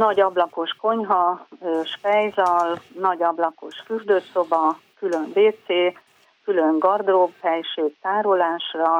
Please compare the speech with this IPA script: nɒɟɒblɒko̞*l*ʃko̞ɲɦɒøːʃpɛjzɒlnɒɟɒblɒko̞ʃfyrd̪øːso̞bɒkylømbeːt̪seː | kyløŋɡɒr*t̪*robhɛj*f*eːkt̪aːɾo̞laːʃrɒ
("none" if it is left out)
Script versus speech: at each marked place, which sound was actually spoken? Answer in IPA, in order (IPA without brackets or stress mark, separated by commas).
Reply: none, d̪, ʃ